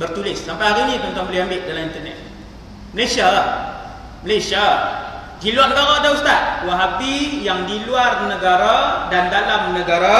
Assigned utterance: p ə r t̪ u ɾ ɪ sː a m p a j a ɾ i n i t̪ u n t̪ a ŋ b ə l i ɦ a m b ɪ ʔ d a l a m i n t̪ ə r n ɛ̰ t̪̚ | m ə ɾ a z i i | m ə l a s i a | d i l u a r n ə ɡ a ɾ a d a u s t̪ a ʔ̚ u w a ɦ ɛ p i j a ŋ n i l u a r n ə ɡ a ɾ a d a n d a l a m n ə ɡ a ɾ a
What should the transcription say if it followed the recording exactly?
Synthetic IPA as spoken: b ə r t̪ u l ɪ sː a m p a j a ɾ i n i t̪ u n t̪ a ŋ b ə l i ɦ a m b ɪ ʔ d a l a m i n t̪ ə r n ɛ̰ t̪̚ | m ə l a s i a | m ə l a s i a | d i l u a r n ə ɡ a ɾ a d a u s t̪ a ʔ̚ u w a ɦ a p i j a ŋ d i l u a r n ə ɡ a ɾ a d a n d a l a m n ə ɡ a ɾ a